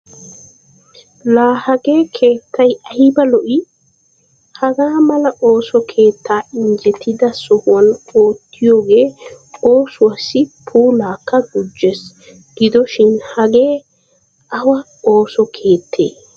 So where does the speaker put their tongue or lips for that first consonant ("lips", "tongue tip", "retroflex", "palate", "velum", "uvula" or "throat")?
tongue tip